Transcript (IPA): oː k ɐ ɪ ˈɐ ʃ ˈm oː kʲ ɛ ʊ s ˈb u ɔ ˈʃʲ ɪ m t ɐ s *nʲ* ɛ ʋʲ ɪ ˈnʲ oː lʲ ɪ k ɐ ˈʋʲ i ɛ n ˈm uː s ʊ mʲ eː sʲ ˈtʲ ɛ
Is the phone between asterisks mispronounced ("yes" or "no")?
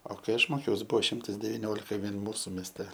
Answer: yes